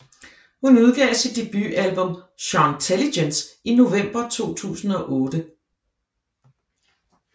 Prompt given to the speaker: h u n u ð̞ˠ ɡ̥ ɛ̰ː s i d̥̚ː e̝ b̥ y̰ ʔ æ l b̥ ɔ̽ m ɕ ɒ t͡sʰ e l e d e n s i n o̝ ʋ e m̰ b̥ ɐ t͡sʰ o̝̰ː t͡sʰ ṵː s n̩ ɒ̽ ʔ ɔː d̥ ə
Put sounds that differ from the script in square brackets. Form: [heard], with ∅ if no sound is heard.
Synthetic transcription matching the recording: h u n u ð̞ˠ ɡ̥ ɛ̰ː s i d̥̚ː e̝ b̥ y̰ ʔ æ l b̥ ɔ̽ m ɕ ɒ t͡sʰ e l [i] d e n s i n o̝ ʋ e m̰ b̥ ɐ t͡sʰ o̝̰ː t͡sʰ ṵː s n̩ ɒ̽ ʔ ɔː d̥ ə